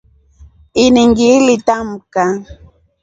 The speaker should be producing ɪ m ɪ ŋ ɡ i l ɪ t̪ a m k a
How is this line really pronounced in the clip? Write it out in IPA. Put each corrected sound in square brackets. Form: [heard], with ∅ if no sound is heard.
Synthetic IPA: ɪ [n] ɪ ŋ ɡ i l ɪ t̪ a m k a

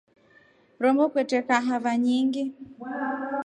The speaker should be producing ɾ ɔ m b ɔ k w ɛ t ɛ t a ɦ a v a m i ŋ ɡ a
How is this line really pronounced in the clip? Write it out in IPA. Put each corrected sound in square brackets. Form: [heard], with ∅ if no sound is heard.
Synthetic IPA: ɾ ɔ m b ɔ k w ɛ t ɛ [k] a ɦ a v a [ɲ] i ŋ ɡ [i]

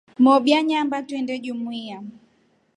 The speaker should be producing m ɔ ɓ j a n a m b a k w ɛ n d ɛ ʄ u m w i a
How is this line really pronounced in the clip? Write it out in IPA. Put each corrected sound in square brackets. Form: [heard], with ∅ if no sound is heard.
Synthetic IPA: m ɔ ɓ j a [ɲ] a m b a [t] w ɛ n d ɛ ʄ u m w i a

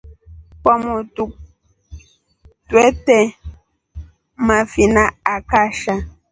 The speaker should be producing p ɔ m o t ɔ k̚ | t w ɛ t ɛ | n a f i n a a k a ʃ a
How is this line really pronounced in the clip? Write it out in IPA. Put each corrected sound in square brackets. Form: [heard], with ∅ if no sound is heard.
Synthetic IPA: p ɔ m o t [u] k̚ | t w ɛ t ɛ | [m] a f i n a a k a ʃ a

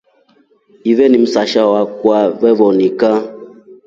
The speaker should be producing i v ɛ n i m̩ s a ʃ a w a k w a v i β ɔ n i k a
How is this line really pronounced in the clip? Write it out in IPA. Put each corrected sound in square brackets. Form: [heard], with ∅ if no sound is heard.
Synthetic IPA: i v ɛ n i m̩ s a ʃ a w a k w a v [ɛ] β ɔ n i k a

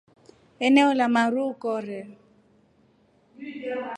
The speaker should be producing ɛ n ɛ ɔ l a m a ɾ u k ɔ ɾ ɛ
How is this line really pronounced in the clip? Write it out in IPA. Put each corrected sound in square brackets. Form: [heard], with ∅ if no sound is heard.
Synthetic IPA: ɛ n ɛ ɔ l a m a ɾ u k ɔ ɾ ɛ

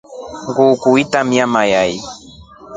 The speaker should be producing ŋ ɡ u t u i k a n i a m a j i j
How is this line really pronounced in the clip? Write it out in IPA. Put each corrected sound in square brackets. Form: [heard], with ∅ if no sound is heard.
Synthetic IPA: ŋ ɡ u [k] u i [t] a [m] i a m a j [a] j

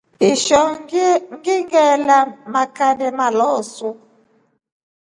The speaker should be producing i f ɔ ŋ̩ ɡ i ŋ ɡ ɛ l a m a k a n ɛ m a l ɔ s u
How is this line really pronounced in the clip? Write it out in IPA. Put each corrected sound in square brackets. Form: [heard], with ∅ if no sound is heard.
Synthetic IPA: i [ʃ] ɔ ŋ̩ ɡ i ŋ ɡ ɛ l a m a k a n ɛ m a l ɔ s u

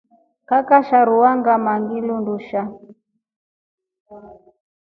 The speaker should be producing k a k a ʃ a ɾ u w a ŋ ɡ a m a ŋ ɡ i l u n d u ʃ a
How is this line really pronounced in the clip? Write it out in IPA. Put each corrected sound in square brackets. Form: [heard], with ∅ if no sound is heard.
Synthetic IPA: k a k a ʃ a ɾ u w a ŋ ɡ a m a ŋ ɡ i l u n d u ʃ a

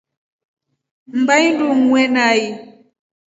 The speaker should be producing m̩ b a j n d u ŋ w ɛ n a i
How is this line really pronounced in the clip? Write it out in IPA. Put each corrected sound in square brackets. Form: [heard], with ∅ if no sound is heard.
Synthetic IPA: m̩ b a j n d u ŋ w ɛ n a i

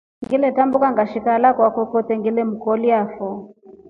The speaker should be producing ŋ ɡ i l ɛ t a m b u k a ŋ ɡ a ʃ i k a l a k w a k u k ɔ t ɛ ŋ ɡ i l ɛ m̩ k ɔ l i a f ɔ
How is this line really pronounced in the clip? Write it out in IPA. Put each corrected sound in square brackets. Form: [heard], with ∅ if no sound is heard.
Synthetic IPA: ŋ ɡ i l ɛ t a m b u k a ŋ ɡ a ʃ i k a l a k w a k [ɔ] k ɔ t ɛ ŋ ɡ i l ɛ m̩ k ɔ l i a f ɔ

